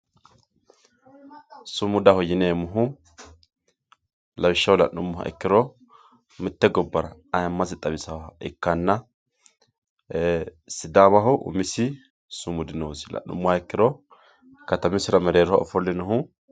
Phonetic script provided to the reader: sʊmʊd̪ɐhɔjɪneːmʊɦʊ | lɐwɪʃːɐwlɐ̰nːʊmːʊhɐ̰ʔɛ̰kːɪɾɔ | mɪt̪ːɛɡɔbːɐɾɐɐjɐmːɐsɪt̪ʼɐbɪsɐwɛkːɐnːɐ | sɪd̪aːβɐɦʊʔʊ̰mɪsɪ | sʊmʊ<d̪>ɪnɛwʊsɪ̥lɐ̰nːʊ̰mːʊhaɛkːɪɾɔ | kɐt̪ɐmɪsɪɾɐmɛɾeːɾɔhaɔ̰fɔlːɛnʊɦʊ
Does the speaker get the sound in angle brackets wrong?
no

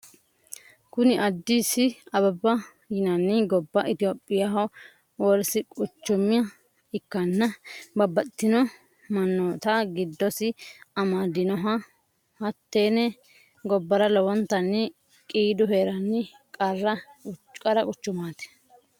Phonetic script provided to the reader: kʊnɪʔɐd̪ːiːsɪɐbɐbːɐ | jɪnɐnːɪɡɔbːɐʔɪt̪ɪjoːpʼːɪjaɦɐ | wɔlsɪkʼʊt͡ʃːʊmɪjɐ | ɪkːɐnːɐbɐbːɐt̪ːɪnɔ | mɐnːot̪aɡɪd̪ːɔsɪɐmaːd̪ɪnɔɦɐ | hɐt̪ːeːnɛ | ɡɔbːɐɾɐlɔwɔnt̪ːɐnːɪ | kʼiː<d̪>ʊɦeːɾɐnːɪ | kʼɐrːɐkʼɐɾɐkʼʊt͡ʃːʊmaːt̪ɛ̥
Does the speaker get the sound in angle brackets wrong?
no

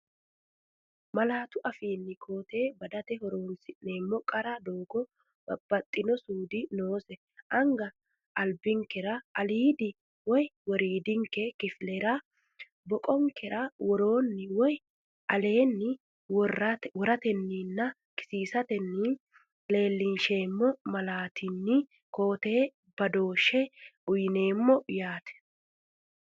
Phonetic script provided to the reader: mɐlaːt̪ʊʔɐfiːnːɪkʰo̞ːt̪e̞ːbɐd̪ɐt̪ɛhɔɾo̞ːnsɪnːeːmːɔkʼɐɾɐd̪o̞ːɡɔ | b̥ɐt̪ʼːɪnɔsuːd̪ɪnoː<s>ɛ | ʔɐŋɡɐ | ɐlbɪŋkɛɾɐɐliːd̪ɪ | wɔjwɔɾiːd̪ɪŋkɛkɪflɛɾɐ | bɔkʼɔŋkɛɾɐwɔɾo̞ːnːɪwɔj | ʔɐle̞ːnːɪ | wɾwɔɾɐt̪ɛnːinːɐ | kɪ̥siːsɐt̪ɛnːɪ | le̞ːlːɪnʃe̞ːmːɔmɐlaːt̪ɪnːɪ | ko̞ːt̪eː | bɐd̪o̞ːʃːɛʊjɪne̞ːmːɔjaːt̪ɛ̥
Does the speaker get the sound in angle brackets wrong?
no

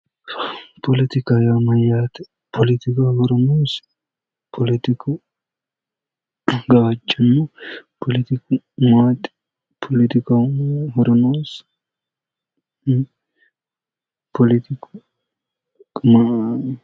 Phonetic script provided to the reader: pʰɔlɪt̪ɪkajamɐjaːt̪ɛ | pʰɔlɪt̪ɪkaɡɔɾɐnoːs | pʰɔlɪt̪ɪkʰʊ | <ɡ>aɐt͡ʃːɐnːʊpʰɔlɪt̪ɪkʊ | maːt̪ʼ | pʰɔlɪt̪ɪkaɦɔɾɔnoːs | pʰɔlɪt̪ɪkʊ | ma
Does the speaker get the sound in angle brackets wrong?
no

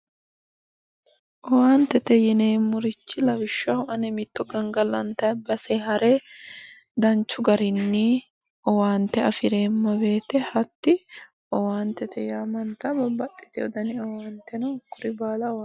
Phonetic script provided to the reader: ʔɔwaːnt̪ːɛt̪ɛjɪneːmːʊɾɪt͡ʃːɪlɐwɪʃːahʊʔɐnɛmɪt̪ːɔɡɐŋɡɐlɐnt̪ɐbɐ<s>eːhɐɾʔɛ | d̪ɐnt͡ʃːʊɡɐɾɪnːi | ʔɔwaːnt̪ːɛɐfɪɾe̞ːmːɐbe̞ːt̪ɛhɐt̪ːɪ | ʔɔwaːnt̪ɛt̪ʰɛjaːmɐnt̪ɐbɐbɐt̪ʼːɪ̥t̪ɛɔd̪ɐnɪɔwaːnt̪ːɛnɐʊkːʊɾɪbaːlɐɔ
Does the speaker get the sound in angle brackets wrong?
no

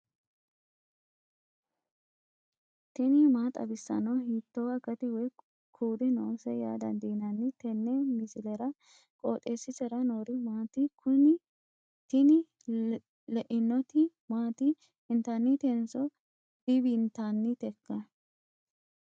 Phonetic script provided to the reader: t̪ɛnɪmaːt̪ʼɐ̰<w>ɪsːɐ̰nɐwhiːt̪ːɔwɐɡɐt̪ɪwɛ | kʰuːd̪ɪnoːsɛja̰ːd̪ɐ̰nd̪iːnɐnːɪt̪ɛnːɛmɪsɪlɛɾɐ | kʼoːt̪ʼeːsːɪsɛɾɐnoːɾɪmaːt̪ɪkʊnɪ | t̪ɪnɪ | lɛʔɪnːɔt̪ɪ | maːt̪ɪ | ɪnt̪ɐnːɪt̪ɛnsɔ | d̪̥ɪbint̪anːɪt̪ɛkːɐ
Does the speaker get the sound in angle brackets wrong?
yes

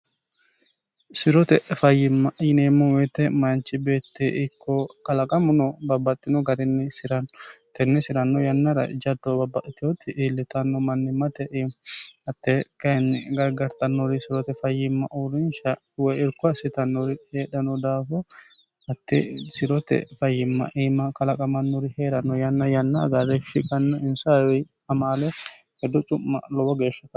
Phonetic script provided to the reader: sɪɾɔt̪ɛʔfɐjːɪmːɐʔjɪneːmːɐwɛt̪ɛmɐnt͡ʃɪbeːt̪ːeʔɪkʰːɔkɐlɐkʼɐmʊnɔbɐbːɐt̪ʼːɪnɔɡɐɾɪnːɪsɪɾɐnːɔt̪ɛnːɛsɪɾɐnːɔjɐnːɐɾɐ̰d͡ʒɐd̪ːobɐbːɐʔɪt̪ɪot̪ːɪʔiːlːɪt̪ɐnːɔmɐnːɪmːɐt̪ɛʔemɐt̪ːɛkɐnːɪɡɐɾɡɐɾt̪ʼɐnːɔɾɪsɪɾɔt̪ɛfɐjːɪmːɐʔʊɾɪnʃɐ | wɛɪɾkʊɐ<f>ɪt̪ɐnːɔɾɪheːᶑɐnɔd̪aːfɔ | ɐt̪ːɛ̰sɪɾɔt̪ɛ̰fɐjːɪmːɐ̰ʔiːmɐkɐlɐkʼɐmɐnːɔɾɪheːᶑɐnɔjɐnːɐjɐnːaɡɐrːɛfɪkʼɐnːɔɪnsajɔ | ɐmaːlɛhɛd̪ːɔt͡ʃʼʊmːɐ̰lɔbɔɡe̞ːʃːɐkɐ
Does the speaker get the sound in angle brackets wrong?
yes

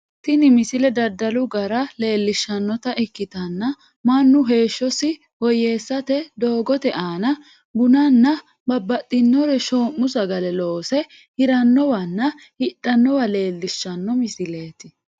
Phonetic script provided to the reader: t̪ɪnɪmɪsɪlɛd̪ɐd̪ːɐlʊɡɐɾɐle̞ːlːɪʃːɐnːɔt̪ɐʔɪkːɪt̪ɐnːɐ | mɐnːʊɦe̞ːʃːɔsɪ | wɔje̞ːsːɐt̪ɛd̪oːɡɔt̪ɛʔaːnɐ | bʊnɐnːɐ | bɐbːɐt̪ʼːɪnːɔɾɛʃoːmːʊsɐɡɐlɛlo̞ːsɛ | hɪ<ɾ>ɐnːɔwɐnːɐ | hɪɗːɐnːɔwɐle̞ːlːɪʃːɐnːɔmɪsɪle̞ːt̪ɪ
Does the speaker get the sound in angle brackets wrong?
no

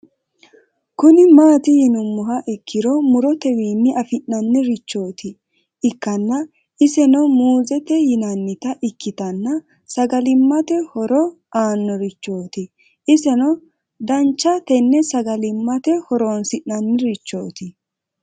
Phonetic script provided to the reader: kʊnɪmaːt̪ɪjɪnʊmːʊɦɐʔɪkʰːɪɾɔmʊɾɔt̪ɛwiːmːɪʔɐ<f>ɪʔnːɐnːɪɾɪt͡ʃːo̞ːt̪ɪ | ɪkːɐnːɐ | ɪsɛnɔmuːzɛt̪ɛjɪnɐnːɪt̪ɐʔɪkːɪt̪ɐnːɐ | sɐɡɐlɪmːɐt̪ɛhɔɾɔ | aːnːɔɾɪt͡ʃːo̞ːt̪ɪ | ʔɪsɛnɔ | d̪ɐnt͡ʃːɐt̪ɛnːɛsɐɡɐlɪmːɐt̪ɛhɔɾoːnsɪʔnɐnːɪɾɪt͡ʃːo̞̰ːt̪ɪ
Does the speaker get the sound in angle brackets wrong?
no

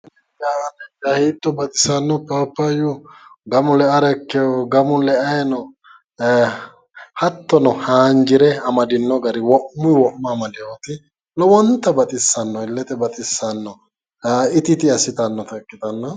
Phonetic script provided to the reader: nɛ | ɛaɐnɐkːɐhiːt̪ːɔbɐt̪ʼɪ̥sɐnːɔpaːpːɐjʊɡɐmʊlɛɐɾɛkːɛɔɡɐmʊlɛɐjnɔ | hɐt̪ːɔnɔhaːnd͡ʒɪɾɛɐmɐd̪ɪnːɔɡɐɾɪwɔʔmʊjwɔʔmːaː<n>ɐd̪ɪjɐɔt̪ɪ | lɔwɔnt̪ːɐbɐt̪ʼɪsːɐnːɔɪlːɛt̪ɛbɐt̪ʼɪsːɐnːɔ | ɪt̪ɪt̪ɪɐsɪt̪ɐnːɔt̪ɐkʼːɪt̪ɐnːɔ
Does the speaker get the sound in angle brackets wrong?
yes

